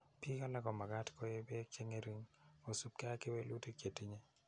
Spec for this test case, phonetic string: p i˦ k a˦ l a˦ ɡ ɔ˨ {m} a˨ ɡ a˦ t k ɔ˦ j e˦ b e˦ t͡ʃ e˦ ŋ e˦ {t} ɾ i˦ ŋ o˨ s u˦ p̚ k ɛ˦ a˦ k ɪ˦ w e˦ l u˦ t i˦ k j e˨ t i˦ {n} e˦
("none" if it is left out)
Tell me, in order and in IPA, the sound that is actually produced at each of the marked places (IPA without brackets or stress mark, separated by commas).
m, none, ɲ